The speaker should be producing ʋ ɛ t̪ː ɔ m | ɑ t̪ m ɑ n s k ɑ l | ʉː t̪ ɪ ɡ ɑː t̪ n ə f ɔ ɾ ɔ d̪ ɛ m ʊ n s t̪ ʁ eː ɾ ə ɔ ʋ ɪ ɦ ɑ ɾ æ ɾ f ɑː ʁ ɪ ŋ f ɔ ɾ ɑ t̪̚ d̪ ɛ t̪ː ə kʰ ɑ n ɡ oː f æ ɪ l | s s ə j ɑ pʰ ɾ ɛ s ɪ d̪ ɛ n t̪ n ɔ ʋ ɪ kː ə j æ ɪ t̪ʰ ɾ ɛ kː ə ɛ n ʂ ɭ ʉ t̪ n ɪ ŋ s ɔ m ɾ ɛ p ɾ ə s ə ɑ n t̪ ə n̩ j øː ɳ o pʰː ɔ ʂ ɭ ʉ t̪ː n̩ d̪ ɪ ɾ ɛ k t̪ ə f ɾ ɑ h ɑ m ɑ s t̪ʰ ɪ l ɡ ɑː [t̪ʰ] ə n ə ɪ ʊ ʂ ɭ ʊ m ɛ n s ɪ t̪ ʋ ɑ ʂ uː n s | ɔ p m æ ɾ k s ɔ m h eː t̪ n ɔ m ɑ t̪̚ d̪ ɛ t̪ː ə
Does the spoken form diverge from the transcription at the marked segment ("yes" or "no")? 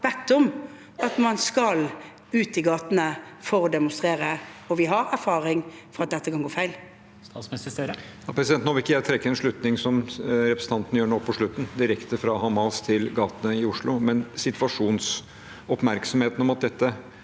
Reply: yes